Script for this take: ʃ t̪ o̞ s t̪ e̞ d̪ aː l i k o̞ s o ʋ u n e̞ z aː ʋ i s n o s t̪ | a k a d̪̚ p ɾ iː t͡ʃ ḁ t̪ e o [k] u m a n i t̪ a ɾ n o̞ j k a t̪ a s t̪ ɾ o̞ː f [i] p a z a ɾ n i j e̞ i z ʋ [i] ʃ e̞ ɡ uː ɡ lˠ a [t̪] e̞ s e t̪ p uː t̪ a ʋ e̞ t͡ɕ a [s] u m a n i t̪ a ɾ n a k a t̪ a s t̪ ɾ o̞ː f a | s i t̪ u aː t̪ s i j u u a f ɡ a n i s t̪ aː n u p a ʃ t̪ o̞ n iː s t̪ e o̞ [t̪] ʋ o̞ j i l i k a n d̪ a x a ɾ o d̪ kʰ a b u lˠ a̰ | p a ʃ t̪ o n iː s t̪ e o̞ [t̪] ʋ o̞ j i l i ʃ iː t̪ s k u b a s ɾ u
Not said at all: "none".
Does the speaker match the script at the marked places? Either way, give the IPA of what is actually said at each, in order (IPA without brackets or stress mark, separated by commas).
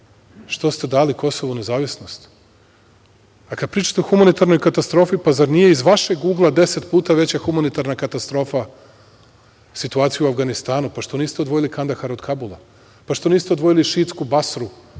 x, i, a, d̪, x, d̪, d̪